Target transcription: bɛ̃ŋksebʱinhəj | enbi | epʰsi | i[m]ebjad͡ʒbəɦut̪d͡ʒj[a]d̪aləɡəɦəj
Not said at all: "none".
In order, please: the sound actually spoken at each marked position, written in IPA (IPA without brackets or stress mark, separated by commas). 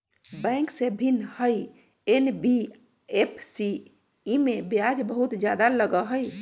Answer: m, a